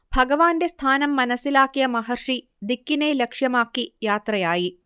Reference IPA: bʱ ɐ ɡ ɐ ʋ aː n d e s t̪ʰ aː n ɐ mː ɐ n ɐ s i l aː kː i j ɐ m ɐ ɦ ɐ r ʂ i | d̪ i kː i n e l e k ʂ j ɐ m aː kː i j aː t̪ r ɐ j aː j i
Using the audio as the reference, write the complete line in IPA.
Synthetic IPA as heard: bʱ ɐ ɡ ɐ ʋ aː n d e s t̪ʰ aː n ɐ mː ɐ n ɐ s i l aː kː i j ɐ m ɐ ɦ ɐ r ʂ i | d̪ i kː i n e l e k ʂ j ɐ m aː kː i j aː t̪ r ɐ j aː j i